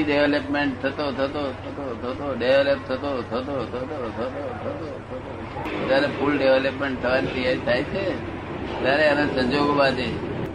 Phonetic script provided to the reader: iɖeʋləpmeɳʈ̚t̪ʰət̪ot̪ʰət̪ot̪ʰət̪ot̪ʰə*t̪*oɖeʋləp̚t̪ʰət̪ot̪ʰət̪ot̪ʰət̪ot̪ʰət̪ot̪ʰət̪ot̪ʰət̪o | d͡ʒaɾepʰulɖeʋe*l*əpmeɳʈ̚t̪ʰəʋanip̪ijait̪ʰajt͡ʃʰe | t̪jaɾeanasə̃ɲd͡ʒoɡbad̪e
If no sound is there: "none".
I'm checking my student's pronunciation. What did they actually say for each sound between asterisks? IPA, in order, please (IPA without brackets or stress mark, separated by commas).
t̪, l